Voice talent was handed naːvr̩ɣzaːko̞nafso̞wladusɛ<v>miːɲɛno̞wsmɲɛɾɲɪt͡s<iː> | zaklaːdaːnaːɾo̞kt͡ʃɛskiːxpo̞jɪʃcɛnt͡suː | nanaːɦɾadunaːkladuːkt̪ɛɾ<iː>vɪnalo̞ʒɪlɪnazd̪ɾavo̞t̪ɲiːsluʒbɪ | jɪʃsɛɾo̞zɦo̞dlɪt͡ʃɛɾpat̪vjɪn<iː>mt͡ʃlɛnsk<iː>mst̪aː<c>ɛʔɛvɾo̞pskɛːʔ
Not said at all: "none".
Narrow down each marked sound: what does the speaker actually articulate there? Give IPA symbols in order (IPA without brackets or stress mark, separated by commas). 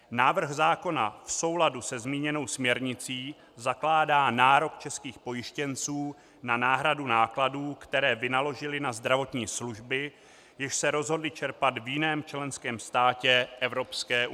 z, iː, ɛː, ɛː, ɛː, c